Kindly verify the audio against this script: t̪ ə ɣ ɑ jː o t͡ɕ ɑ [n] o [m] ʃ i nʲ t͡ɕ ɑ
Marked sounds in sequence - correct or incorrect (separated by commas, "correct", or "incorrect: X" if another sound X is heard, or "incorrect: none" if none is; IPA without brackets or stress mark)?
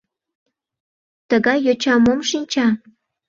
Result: incorrect: m, correct